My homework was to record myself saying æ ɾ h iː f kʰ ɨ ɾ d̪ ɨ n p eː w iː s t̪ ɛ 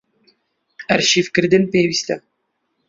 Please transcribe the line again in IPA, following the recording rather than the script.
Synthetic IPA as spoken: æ ɾ ʃ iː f k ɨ ɾ d̪ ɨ n p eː w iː s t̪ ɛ